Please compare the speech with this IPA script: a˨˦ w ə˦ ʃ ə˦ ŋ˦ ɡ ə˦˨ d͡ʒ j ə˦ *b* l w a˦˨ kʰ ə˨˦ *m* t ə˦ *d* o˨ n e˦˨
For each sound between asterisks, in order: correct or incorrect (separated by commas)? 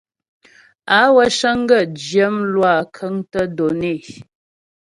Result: incorrect, incorrect, correct